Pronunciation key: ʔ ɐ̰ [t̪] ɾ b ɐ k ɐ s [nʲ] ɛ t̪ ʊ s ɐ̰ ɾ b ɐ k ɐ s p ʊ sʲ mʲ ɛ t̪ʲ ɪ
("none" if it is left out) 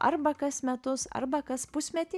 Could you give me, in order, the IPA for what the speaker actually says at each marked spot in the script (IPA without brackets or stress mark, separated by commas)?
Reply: none, mʲ